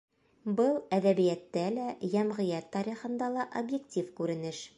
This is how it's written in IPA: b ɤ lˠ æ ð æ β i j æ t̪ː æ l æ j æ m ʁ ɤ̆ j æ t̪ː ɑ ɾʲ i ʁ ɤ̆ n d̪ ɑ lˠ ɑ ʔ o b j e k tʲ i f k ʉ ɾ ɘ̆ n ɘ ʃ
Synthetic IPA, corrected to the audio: b ɤ lˠ æ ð æ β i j æ t̪ː æ l æ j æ m ʁ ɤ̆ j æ t̪ː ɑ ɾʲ i χ ɤ̆ n d̪ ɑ lˠ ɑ ʔ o b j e k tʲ i f k ʉ ɾ ɘ̆ n ɘ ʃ